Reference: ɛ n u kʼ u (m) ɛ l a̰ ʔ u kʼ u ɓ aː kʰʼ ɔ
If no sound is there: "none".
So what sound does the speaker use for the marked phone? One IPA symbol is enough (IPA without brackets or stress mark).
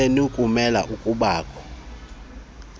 m